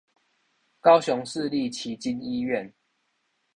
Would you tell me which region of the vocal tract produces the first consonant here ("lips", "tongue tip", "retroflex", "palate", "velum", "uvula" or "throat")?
velum